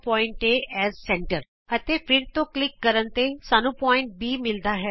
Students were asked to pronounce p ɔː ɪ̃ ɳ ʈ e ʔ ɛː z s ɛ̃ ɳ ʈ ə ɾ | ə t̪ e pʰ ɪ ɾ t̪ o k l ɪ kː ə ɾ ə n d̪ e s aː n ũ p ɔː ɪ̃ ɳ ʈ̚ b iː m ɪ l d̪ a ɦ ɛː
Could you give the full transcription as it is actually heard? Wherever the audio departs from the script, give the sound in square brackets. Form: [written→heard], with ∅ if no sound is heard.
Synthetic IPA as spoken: p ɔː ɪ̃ ɳ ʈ e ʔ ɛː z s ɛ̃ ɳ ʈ ə ɾ | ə t̪ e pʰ ɪ ɾ t̪ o k l ɪ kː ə ɾ ə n [d̪→t̪] e s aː n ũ p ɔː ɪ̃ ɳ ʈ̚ b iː m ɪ l d̪ a ɦ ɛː